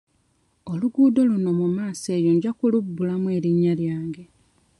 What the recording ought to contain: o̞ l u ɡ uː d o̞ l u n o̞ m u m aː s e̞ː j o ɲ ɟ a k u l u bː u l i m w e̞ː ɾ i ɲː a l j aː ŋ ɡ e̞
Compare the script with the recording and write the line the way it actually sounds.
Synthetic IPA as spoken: o̞ l u ɡ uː d o̞ l u n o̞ m u m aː s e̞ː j o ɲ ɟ a k u l u bː u l a m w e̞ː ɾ i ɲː a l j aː ŋ ɡ e̞